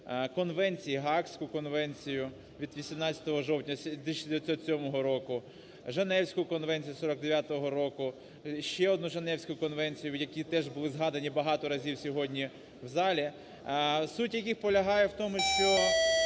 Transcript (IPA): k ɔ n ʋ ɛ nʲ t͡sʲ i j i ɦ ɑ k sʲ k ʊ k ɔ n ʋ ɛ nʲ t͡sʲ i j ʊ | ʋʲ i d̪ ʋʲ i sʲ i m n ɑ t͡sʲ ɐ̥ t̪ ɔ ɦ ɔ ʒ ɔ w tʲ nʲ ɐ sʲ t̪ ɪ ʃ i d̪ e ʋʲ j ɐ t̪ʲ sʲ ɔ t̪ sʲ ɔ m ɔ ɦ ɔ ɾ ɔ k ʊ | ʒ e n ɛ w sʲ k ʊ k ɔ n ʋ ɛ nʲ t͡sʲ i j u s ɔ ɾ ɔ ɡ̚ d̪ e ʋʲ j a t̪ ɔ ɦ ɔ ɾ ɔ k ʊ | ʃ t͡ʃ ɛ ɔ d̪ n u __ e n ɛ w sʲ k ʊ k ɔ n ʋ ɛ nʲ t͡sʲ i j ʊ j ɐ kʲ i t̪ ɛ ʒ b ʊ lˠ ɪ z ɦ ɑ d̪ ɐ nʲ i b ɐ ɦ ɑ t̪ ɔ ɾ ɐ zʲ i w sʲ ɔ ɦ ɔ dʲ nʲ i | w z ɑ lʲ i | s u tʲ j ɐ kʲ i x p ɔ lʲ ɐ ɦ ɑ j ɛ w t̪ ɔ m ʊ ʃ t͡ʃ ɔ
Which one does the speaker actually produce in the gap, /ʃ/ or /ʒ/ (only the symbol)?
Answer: ʒ